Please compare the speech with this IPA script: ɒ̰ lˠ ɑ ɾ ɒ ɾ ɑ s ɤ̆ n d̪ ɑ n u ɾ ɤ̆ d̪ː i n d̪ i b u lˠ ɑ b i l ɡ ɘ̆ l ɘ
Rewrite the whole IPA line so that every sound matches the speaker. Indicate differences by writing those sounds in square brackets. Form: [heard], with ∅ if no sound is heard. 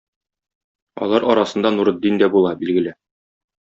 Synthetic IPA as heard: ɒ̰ lˠ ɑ ɾ ɒ ɾ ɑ s ɤ̆ n d̪ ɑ n u ɾ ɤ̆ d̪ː i n d̪ [æ] b u lˠ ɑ b i l ɡ ɘ̆ l ɘ